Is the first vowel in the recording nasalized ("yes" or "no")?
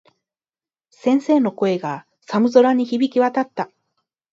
yes